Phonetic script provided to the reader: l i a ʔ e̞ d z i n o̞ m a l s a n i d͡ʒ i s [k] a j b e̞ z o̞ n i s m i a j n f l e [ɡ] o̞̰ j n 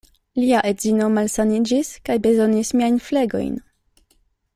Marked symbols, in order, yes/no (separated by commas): yes, yes